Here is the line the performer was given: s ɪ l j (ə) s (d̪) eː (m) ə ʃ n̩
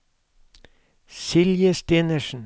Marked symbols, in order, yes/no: yes, no, no

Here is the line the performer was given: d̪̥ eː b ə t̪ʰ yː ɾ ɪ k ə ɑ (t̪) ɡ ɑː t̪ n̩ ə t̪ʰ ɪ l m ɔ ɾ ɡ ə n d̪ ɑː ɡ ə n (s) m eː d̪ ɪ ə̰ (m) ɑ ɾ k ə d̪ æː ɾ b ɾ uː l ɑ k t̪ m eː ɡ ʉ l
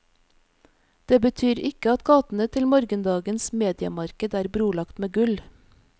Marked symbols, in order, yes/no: yes, yes, yes

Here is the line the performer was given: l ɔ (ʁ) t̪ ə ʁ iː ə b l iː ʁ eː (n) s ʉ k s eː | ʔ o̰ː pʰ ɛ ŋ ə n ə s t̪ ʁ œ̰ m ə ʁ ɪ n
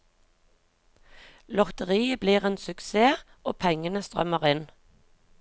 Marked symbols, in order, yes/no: yes, yes

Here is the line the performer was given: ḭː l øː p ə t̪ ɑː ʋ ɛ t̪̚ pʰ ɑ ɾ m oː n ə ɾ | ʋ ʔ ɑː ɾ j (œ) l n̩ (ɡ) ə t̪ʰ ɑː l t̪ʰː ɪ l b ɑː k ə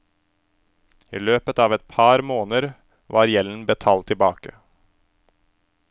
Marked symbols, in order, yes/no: no, no

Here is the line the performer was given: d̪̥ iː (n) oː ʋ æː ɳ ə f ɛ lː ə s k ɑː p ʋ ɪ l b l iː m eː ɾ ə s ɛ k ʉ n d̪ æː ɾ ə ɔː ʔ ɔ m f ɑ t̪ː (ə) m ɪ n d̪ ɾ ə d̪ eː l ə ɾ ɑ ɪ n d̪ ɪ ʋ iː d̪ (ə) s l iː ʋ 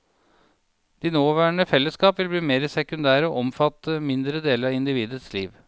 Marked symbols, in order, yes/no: yes, yes, yes

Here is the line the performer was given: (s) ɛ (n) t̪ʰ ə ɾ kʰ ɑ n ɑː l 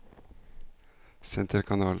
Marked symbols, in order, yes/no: yes, yes

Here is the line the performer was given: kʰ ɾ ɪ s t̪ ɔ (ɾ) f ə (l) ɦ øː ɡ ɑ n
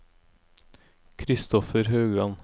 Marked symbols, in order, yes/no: no, no

